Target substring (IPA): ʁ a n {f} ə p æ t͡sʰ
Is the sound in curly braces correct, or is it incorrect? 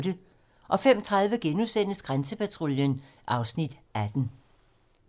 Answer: incorrect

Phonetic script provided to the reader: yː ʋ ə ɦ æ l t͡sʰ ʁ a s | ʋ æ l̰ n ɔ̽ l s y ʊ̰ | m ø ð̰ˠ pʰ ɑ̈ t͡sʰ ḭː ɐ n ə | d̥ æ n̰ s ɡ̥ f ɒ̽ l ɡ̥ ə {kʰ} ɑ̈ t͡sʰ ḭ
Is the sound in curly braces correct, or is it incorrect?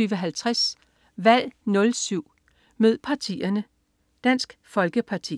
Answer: incorrect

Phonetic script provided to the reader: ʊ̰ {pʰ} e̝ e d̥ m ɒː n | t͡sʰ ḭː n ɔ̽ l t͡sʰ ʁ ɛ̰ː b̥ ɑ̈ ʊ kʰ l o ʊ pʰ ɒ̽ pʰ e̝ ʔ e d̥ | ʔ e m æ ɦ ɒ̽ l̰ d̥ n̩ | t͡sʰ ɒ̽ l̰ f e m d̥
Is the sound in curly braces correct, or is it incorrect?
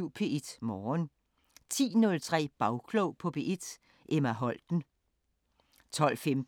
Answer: correct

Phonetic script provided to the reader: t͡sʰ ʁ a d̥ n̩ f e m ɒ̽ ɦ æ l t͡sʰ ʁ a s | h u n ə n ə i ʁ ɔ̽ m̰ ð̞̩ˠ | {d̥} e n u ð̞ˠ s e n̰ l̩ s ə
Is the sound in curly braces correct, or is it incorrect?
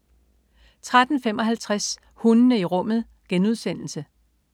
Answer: incorrect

